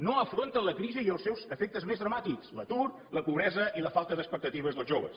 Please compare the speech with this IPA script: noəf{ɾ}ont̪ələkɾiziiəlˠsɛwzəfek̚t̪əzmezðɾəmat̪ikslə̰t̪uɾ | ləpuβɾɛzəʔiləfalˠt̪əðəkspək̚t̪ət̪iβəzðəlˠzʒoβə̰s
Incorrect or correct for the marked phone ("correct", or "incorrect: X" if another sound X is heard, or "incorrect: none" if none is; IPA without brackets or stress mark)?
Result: correct